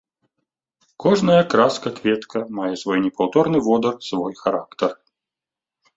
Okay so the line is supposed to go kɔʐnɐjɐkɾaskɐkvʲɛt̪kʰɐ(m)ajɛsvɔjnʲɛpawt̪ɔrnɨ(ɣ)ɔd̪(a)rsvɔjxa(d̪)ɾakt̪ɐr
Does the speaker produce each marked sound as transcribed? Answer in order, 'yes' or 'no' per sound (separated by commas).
yes, no, no, no